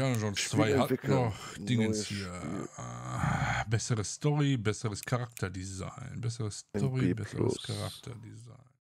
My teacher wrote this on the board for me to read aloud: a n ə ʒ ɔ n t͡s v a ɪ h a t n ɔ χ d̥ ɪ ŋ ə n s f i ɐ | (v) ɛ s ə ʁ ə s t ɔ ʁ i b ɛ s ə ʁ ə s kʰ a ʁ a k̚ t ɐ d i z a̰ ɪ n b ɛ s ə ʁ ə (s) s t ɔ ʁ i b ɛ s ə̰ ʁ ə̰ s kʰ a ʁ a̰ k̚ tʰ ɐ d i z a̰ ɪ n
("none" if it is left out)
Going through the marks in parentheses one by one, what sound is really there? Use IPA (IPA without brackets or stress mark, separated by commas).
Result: b, s